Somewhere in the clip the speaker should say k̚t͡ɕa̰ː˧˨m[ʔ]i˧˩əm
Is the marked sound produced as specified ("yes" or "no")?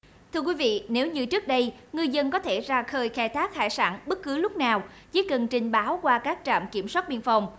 no